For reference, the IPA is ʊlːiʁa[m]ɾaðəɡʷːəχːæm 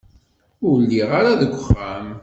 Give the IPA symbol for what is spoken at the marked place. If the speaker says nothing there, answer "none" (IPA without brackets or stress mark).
none